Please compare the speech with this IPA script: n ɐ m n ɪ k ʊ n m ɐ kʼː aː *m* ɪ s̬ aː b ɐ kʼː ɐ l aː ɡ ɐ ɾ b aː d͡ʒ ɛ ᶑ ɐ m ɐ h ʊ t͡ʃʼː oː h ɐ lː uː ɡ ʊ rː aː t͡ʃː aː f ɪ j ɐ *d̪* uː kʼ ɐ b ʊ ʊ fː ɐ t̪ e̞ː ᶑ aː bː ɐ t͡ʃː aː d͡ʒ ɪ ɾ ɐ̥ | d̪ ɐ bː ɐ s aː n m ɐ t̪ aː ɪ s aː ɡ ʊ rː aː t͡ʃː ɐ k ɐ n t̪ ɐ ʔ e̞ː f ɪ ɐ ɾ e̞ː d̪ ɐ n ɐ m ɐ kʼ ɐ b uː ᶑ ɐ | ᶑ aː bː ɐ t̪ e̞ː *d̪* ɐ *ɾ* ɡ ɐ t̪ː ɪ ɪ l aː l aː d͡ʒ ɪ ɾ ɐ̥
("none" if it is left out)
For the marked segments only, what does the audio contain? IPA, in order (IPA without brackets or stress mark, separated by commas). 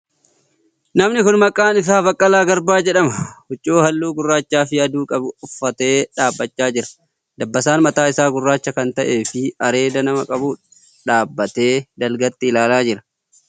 n, d̪, d̪, l